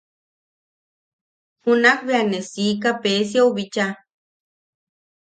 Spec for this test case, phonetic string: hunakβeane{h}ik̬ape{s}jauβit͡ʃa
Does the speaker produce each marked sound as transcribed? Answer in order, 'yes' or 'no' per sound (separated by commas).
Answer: no, yes